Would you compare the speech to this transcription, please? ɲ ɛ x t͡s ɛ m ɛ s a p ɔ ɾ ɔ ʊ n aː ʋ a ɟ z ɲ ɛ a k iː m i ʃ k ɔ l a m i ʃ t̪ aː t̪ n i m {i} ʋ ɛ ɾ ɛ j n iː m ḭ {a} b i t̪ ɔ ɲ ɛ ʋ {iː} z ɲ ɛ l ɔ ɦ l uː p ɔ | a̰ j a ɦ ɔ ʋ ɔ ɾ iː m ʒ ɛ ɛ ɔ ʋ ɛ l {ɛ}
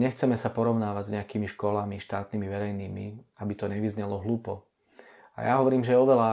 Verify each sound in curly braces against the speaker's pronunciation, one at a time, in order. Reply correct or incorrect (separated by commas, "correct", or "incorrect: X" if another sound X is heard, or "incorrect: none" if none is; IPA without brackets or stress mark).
correct, correct, incorrect: i, incorrect: a